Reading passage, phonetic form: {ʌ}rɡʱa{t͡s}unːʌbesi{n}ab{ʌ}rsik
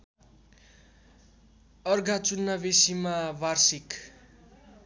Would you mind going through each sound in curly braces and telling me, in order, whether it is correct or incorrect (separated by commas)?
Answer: correct, correct, incorrect, incorrect